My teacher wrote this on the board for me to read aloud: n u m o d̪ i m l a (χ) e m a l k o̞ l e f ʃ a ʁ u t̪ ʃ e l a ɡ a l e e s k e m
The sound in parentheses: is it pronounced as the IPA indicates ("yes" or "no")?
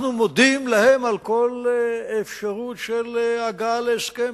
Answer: no